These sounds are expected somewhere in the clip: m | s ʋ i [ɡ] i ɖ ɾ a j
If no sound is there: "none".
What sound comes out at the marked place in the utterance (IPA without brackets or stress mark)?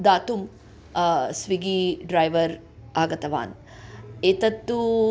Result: ɡ